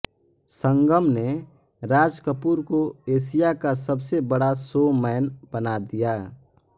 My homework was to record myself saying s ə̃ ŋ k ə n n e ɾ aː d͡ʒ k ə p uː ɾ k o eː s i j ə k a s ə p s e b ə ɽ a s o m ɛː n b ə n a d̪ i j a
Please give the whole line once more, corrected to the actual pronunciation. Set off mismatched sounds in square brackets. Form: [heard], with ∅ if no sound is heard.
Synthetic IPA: s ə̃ ŋ [ɡ] ə [m] n e ɾ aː d͡ʒ k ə p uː ɾ k o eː s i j [a] k a s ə [b] s e b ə ɽ a s o m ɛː n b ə n a d̪ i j a